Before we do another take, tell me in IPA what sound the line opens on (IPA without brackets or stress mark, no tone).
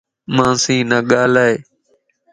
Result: m